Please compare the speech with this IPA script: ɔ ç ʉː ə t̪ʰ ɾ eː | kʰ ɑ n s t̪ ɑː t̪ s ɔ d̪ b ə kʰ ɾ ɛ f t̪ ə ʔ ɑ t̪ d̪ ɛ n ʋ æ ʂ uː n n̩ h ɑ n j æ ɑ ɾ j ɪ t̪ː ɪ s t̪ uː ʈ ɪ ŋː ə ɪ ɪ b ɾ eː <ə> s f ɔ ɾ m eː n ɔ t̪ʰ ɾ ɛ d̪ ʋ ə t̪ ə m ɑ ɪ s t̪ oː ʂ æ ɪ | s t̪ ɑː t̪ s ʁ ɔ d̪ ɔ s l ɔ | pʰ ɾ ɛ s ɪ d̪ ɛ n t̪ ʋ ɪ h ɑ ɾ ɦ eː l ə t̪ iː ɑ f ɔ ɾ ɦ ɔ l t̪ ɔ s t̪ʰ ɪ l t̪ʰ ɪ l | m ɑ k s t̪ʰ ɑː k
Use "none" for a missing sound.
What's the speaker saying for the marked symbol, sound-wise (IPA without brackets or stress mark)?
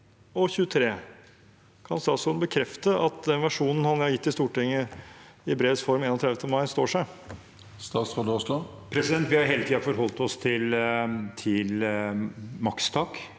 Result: ə